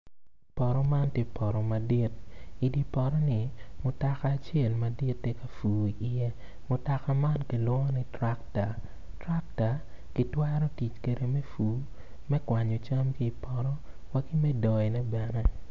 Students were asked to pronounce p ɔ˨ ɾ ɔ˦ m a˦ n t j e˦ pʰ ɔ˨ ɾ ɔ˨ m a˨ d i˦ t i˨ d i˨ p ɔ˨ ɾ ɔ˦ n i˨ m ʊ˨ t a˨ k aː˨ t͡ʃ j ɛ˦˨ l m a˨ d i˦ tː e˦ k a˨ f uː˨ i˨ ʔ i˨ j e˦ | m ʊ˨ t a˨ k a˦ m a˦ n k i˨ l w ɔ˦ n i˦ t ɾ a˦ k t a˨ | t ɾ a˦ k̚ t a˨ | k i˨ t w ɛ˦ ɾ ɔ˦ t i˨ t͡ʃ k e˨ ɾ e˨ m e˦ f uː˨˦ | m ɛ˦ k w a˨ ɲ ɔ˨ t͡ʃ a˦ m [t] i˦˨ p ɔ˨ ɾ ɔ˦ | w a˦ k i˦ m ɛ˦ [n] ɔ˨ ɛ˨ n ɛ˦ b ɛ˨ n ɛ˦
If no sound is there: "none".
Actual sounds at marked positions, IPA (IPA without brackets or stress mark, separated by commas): k, d